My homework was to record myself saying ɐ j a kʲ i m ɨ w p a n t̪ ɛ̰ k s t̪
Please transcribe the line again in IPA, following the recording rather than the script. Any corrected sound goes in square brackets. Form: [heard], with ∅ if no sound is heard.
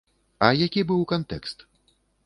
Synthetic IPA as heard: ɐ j a kʲ i [b] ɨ w [k] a n t̪ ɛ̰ k s t̪